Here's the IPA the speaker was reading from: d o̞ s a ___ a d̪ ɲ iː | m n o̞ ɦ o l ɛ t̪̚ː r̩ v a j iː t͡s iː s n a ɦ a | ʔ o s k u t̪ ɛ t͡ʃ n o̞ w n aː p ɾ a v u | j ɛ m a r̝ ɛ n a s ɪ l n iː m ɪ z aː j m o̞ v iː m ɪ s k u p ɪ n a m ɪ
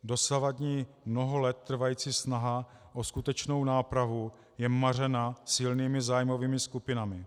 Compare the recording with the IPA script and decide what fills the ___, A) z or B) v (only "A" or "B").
B